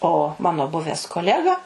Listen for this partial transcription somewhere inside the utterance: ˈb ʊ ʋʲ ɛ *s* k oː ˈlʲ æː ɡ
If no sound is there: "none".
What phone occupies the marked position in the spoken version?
s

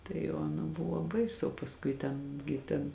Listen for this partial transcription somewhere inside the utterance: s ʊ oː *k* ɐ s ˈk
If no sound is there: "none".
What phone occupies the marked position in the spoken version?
p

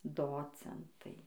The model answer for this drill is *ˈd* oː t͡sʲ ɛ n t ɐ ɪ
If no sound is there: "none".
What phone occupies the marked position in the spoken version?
d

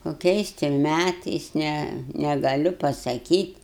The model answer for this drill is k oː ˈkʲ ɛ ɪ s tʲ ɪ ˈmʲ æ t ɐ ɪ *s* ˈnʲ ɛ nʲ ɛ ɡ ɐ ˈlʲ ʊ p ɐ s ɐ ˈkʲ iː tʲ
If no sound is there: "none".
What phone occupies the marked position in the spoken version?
s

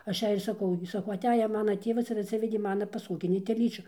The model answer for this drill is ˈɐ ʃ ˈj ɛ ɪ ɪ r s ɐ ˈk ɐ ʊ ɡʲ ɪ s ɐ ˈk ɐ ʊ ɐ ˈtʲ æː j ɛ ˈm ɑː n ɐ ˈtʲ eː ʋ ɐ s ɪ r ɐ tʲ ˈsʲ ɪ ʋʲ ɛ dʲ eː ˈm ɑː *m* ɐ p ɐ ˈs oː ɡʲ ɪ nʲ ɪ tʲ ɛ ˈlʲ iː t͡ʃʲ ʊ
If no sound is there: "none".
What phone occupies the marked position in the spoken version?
n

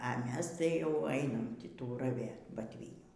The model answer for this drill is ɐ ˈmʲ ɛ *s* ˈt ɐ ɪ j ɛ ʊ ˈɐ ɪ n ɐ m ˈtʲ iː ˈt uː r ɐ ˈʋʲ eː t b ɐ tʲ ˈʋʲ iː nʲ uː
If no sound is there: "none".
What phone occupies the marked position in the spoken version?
s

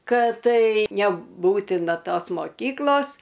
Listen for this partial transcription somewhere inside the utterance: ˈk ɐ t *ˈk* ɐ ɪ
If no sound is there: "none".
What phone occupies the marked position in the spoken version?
t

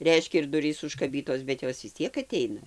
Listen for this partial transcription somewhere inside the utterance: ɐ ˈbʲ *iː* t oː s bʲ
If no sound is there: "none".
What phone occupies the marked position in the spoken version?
iː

